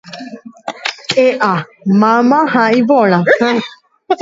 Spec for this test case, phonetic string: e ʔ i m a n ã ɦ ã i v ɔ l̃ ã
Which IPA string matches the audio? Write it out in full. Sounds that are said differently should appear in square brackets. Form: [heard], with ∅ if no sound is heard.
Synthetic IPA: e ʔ [a] m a [m] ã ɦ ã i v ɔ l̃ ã

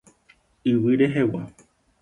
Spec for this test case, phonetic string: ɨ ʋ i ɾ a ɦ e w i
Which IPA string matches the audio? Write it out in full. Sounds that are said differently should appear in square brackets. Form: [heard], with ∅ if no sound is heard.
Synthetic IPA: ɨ [w] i ɾ [e] ɦ e w [a]

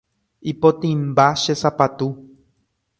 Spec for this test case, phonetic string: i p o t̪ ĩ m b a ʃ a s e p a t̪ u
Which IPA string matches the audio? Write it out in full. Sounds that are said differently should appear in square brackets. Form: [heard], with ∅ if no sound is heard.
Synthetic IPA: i p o t̪ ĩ m b a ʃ [e] s [a] p a t̪ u

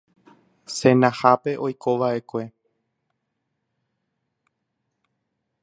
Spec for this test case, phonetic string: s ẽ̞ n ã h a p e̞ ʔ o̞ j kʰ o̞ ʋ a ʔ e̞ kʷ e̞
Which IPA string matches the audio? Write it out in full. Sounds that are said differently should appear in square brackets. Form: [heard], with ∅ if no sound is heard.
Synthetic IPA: s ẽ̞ n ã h a p e̞ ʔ o̞ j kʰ o̞ ʋ a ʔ e̞ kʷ e̞

